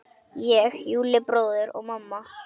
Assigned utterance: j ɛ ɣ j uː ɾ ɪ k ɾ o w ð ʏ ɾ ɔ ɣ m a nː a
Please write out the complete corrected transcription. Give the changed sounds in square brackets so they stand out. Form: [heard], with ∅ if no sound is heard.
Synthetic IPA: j ɛ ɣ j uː [l] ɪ [p] ɾ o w ð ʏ ɾ ɔ ɣ m a [mː] a